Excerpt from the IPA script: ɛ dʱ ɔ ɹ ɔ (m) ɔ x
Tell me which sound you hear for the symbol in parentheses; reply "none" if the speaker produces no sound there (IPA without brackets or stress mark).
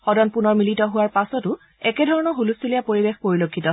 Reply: n